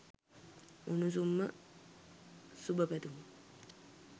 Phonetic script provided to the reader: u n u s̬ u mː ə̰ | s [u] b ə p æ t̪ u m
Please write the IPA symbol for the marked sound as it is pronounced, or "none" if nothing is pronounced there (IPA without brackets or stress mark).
u